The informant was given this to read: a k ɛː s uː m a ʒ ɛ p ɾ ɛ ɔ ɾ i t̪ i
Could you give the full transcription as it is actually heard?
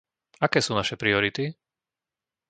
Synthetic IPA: a k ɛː s uː n a ʃ ɛ p ɾ i ɔ ɾ i t̪ i